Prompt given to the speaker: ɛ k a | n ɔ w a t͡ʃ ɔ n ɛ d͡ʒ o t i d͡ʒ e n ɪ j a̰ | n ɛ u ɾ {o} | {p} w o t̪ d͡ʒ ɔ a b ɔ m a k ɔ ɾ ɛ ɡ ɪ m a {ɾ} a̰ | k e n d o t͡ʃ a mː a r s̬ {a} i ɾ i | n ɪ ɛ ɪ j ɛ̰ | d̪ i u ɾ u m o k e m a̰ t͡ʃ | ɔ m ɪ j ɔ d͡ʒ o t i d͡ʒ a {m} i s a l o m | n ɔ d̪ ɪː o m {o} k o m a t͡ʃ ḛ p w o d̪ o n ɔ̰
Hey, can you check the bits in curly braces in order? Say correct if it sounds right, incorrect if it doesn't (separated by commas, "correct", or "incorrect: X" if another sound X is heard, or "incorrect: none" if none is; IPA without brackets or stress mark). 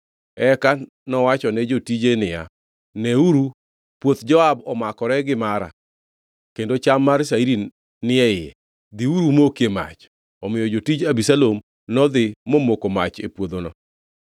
incorrect: u, correct, correct, correct, incorrect: b, correct